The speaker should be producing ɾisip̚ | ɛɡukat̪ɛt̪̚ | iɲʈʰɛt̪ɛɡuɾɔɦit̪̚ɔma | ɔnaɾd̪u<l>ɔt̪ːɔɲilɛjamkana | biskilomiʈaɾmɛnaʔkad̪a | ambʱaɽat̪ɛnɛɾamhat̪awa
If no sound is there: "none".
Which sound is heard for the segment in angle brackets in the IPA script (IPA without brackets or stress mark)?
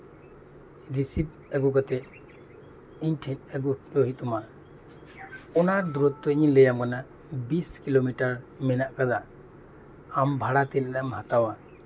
ɾ